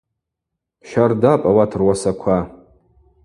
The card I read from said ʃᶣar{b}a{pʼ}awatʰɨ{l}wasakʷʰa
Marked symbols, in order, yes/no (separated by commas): no, yes, no